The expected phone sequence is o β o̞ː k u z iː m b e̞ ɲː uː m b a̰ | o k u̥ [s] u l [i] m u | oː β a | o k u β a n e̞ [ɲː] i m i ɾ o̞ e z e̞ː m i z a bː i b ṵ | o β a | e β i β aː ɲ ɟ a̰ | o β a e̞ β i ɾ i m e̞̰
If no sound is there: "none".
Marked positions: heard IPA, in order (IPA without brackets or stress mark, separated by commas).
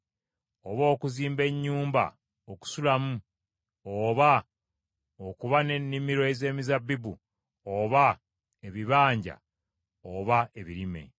s, a, nː